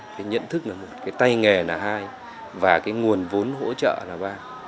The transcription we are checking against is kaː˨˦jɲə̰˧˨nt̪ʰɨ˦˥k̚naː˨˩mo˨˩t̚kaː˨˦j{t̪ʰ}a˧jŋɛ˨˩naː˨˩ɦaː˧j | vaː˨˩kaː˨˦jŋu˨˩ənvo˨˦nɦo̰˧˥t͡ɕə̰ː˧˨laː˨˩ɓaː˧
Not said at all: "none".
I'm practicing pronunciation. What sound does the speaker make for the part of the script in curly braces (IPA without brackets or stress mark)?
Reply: t̪